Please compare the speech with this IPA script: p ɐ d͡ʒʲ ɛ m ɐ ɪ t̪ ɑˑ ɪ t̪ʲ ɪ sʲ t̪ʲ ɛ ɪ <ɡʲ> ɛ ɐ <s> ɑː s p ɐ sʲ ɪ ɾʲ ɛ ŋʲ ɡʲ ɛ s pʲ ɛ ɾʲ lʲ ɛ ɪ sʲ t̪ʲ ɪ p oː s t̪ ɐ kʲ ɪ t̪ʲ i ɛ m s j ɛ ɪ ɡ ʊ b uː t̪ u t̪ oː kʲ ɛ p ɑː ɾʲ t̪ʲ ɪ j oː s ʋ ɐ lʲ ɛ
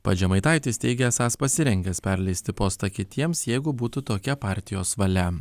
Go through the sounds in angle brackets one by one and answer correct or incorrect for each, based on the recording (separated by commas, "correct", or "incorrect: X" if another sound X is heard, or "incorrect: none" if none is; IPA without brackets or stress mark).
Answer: correct, correct